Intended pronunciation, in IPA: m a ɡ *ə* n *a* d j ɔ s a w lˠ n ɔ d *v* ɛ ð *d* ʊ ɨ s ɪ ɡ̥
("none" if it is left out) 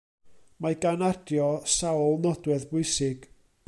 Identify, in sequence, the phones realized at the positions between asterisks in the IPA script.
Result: a, a, w, b

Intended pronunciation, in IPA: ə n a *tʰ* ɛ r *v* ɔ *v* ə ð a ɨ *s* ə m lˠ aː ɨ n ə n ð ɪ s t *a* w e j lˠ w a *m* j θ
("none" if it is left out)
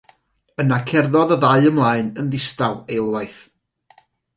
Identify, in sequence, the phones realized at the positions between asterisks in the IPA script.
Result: kʰ, ð, ð, none, a, none

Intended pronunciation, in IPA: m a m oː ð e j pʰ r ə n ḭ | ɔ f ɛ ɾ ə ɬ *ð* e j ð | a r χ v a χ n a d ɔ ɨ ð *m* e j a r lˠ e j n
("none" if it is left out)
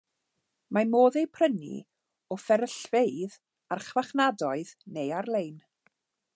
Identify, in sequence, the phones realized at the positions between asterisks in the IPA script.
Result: v, n

